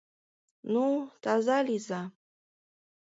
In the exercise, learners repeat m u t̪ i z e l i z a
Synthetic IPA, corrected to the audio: n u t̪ a z a l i z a